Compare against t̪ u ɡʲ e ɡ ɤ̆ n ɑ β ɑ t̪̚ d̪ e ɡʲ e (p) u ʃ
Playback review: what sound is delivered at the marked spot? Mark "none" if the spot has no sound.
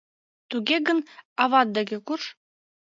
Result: k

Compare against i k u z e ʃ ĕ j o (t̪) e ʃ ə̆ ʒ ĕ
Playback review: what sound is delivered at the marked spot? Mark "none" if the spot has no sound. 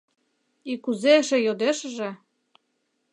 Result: d̪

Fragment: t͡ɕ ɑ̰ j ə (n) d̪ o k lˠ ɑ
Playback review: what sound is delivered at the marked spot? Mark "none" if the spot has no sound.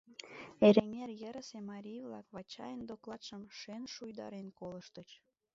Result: n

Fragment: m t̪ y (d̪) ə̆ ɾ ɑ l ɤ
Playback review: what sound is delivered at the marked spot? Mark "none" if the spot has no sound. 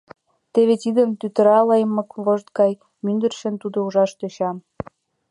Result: t̪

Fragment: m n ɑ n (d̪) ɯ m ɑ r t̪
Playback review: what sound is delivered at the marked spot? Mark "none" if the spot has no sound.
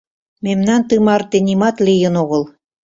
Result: t̪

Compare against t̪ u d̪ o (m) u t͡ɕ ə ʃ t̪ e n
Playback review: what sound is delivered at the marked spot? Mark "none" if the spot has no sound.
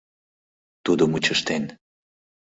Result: m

